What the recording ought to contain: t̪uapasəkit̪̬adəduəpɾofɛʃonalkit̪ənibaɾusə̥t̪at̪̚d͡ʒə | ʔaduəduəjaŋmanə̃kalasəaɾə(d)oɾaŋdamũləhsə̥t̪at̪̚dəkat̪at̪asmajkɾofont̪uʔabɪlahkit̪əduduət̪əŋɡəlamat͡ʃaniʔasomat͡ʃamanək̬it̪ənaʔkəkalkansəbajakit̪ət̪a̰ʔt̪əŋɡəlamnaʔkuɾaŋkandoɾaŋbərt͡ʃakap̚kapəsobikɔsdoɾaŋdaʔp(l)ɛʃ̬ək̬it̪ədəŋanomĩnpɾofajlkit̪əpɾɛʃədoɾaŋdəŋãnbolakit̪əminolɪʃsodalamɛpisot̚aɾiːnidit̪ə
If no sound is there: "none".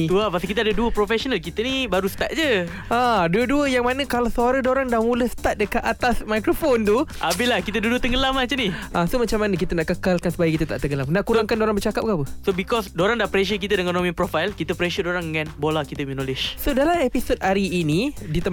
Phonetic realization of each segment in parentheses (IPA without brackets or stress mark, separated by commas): d, ɾ